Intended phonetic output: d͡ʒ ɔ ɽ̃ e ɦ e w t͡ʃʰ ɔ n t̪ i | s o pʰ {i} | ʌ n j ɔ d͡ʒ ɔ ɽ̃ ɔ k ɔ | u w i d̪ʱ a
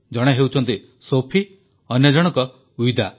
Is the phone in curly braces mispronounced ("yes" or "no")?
no